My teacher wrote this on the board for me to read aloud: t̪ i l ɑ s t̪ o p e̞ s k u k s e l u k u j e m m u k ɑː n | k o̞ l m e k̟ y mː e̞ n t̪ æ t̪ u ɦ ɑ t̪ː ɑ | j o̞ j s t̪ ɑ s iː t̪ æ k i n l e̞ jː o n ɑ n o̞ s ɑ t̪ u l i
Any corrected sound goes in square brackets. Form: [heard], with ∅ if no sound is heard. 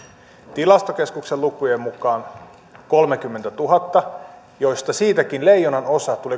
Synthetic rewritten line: t̪ i l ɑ s t̪ o [k] e̞ s k u k s e l u k u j e m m u k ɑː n | k o̞ l m e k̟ y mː e̞ n t̪ æ t̪ u ɦ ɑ t̪ː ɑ | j o̞ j s t̪ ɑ s iː t̪ æ k i n l e̞ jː o n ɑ n o̞ s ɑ t̪ u l i